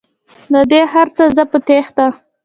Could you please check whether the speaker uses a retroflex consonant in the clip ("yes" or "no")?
no